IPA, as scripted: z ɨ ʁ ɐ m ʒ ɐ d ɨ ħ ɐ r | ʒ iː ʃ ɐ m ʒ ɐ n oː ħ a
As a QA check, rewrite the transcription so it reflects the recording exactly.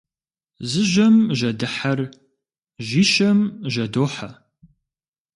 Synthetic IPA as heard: z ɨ ʒ ɐ m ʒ ɐ d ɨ ħ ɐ r | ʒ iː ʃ ɐ m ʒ ɐ d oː ħ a